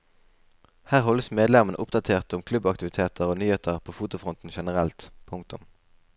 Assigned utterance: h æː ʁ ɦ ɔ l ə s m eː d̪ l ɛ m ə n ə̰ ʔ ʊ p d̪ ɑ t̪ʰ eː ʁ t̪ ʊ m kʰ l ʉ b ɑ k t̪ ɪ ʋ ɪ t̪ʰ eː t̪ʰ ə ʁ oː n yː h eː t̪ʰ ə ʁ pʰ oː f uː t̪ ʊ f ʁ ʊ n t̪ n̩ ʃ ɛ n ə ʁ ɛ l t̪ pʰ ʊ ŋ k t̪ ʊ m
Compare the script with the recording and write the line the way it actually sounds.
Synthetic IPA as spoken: h æː ʁ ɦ ɔ l ə s m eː d̪ l ɛ m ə n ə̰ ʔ ʊ p d̪ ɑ t̪ʰ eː ʁ t̪ ʊ m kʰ l ʉ b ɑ k t̪ ɪ ʋ ɪ t̪ʰ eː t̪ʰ ə ʁ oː n yː h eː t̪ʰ ə ʁ pʰ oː f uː t̪ ʊ f ʁ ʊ n t̪ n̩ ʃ ɛ n ə ʁ ɛ l t̪ pʰ ʊ ŋ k t̪ ʊ m